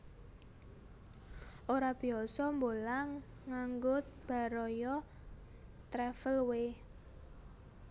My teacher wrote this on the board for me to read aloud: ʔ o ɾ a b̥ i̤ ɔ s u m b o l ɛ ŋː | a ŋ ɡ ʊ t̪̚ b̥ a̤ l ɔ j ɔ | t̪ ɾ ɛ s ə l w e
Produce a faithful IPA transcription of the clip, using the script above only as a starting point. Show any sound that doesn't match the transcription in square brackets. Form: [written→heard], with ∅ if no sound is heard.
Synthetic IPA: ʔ o ɾ a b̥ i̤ ɔ s [u→ɔ] m b o l [ɛ→a] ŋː | a ŋ ɡ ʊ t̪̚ b̥ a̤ [l→ɾ] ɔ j ɔ | t̪ ɾ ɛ [s→f] ə l w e